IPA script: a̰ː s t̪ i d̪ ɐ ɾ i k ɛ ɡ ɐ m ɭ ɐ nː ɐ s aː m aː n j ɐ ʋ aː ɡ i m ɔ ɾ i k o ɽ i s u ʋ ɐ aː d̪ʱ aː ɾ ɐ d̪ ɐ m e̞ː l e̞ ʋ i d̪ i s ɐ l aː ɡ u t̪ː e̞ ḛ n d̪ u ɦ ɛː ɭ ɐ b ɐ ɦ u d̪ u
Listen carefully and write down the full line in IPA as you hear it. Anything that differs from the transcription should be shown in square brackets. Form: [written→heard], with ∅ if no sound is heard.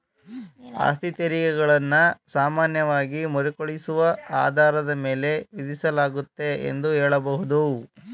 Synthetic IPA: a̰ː s t̪ i [d̪→t̪] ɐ ɾ i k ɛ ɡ ɐ [m→∅] ɭ ɐ nː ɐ s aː m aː n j ɐ ʋ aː ɡ i m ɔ ɾ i k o [ɽ→ɭ] i s u ʋ ɐ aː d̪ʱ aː ɾ ɐ d̪ ɐ m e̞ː l e̞ ʋ i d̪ i s ɐ l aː ɡ u t̪ː e̞ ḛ n d̪ u ɦ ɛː ɭ ɐ b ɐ ɦ u d̪ u

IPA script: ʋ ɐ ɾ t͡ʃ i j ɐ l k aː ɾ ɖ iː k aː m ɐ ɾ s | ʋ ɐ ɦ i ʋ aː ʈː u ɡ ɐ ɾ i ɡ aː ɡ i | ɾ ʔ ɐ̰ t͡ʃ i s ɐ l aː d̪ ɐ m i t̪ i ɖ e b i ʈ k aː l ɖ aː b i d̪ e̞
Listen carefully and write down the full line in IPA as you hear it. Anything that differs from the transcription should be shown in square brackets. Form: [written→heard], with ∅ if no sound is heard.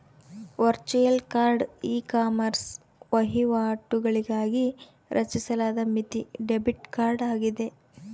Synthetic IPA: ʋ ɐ ɾ t͡ʃ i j ɐ l k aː ɾ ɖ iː k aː m ɐ ɾ s | ʋ ɐ ɦ i ʋ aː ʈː u ɡ ɐ [ɾ→ɭ] i ɡ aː ɡ i | ɾ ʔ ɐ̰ t͡ʃ i s ɐ l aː d̪ ɐ m i t̪ i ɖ e b i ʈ k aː [l→ɾ] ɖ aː [b→ɡ] i d̪ e̞

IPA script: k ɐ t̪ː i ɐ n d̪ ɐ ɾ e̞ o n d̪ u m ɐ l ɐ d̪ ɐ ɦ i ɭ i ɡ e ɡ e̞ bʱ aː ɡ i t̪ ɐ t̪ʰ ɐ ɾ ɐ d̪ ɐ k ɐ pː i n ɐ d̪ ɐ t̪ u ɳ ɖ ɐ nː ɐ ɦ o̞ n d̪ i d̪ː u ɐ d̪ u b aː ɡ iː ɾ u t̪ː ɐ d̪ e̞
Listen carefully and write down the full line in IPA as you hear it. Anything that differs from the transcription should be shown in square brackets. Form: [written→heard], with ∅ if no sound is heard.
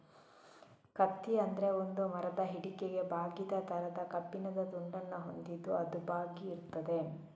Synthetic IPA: k ɐ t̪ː i ɐ n d̪ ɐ ɾ e̞ o n d̪ u m ɐ [l→ɾ] ɐ d̪ ɐ ɦ i [ɭ→ɽ] i [ɡ→k] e ɡ e̞ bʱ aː ɡ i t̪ ɐ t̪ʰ ɐ ɾ ɐ d̪ ɐ k ɐ pː i n ɐ d̪ ɐ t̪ u ɳ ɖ ɐ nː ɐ ɦ o̞ n d̪ i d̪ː u ɐ d̪ u b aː ɡ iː ɾ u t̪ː ɐ d̪ e̞

